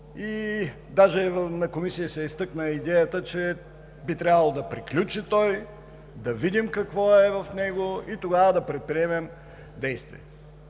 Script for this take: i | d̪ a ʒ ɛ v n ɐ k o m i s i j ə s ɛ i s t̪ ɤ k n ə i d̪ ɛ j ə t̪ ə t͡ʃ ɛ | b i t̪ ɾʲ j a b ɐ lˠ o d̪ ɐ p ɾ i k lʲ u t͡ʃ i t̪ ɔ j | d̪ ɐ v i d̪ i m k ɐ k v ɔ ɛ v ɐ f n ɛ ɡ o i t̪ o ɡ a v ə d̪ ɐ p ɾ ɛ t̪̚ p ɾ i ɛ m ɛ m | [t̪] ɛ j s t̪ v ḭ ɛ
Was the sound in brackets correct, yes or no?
no